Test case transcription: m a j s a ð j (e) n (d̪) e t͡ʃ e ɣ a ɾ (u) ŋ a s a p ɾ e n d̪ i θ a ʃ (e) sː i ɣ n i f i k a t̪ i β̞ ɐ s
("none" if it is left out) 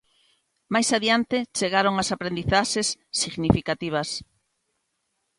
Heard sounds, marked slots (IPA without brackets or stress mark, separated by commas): a, t̪, o, e